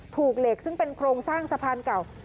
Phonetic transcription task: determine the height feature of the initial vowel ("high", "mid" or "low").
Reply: high